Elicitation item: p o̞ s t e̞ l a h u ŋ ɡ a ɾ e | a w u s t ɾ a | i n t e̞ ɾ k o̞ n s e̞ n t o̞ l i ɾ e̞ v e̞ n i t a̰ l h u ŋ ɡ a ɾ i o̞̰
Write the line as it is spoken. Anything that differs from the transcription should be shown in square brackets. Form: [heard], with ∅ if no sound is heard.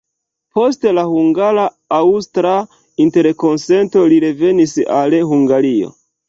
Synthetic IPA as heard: p o̞ s t e̞ l a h u ŋ ɡ a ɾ [a] | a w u s t ɾ a | i n t e̞ ɾ k o̞ n s e̞ n t o̞ l i ɾ e̞ v e̞ n i [s] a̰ l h u ŋ ɡ a ɾ i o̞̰